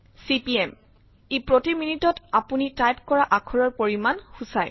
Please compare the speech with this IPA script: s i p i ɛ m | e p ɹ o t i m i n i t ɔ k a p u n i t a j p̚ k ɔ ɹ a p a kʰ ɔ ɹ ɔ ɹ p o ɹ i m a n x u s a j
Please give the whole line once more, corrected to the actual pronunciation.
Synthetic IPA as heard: s i p i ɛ m | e p ɹ o t i m i n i t ɔ t a p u n i t a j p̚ k ɔ ɹ a ʔ a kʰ ɔ ɹ ɔ ɹ p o ɹ i m a n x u s a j

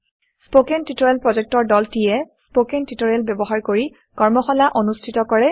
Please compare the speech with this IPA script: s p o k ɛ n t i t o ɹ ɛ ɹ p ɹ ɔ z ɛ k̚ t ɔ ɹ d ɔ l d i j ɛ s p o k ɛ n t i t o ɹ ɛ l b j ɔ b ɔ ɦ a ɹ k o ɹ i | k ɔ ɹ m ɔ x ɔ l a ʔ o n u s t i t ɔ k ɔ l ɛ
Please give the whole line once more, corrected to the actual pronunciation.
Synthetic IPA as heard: s p o k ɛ n t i t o ɹ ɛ l p ɹ ɔ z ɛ k̚ t ɔ ɹ d ɔ l t i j ɛ s p o k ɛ n t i t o ɹ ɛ l b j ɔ b ɔ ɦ a ɹ k o ɹ i | k ɔ ɹ m ɔ x ɔ l a ʔ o n u s tʰ i t ɔ k ɔ ɹ ɛ

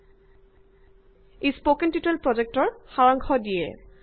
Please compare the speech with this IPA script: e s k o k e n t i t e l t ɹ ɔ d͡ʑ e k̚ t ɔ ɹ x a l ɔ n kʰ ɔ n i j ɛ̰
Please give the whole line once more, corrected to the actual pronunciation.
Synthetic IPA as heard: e s p o k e n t i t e l p ɹ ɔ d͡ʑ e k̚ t ɔ ɹ x a ɹ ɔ ŋ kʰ ɔ d i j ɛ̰

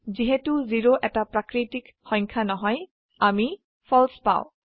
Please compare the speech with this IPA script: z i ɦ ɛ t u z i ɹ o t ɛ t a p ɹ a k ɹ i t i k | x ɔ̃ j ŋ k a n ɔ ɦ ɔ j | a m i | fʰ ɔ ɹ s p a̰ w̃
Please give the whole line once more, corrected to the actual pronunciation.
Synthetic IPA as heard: z i ɦ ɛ t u z i ɹ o ʔ ɛ t a p ɹ a k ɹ i t i k | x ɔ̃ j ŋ kʰ a n ɔ ɦ ɔ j | a m i | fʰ ɔ l s p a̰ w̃

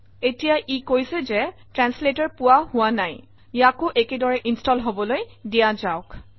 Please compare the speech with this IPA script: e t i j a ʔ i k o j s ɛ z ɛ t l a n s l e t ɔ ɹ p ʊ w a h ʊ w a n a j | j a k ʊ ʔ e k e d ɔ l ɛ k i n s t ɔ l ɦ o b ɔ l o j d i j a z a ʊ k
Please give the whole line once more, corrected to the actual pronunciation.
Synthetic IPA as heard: e t i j a ʔ i k o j s ɛ z ɛ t ɹ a n s l e t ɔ ɹ p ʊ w a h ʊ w a n a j | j a k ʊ ʔ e k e d ɔ ɹ ɛ ʔ i n s t ɔ l ɦ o b ɔ l o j d i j a z a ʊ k

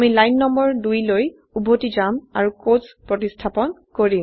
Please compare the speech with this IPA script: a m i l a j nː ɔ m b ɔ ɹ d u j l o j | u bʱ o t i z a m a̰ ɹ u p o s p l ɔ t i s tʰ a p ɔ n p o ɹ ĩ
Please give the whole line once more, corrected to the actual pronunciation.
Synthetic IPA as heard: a m i l a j nː ɔ m b ɔ ɹ d u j l o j | u bʱ o t i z a m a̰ ɹ u k o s p ɹ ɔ t i s tʰ a p ɔ n k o ɹ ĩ

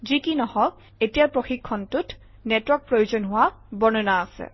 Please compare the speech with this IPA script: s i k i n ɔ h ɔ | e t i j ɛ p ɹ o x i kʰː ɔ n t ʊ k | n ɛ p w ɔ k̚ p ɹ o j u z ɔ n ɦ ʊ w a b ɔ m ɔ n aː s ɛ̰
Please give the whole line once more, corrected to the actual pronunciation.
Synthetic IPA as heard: z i k i n ɔ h ɔ | e t i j a p ɹ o x i kʰː ɔ n t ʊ t | n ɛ t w ɔ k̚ p ɹ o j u z ɔ n ɦ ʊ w a b ɔ n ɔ n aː s ɛ̰

